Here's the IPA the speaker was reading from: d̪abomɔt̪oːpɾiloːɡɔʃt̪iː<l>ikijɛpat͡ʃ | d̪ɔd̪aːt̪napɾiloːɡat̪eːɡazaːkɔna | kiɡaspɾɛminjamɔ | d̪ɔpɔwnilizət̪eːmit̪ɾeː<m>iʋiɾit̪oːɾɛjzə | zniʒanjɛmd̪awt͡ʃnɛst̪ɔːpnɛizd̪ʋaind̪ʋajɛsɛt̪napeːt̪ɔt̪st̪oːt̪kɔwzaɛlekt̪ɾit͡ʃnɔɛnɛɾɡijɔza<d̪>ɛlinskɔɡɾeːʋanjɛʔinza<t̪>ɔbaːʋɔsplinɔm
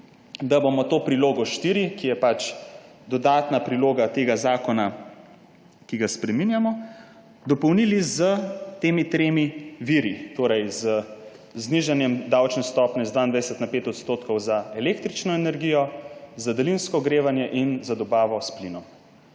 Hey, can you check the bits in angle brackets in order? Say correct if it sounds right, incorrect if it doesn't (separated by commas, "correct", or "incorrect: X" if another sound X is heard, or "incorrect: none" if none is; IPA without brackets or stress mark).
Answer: incorrect: ɾ, correct, correct, incorrect: d̪